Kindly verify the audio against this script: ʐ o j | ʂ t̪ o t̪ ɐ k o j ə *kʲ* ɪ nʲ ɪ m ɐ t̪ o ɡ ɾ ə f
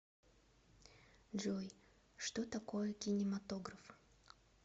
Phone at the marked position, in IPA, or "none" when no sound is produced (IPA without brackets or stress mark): kʲ